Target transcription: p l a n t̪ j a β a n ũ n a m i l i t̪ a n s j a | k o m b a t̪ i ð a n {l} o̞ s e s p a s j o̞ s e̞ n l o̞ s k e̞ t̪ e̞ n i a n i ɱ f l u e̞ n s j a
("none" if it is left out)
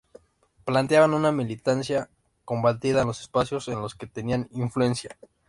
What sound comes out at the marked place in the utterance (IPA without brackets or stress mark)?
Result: l